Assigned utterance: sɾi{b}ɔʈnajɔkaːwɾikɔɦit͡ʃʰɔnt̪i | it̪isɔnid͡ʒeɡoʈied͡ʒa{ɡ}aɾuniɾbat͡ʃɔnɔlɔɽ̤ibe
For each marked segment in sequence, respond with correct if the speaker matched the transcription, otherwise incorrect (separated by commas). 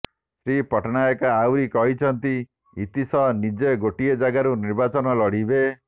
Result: incorrect, correct